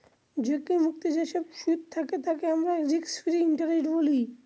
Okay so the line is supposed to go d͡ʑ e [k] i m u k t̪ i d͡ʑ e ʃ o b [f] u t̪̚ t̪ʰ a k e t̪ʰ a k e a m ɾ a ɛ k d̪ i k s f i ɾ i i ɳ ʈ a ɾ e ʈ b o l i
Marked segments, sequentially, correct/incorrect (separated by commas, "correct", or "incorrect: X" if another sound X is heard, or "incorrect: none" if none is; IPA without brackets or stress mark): correct, incorrect: ʃ